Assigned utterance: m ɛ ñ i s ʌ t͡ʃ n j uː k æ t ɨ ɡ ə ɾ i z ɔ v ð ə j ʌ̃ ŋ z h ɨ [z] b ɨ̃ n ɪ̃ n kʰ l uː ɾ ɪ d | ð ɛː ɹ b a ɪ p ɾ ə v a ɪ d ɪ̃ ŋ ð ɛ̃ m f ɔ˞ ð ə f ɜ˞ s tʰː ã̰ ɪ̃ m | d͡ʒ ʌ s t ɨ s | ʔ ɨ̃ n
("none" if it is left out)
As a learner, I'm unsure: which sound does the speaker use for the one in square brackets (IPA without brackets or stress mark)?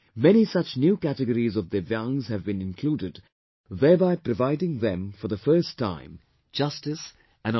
v